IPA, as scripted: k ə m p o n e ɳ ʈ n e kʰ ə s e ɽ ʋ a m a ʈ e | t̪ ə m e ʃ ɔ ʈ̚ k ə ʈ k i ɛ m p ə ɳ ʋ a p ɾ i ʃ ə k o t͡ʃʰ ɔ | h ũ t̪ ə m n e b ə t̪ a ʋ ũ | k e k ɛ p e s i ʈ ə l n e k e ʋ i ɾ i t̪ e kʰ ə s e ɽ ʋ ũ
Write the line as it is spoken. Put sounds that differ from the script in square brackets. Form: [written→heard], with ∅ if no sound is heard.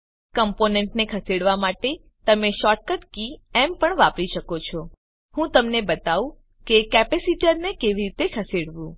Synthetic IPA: k ə m p o n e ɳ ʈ n e kʰ ə s e ɽ ʋ a m a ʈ e | t̪ ə m e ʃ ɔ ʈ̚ k ə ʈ k i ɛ m p ə ɳ ʋ a p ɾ i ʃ ə k o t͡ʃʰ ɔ | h ũ t̪ ə m n e b ə t̪ a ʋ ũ | k e k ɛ p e s i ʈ ə [l→ɾ] n e k e ʋ i ɾ i t̪ e kʰ ə s e ɽ ʋ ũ